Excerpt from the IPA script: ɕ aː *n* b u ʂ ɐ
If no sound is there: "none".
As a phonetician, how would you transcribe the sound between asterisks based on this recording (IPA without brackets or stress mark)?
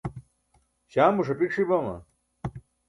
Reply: m